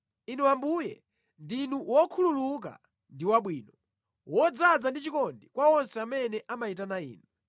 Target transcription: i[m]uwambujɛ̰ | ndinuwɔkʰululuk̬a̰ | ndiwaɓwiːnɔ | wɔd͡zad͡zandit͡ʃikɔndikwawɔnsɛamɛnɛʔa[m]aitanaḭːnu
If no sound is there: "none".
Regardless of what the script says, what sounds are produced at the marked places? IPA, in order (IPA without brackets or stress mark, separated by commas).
n, m